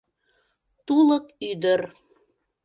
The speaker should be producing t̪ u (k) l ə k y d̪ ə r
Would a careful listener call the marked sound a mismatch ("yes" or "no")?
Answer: yes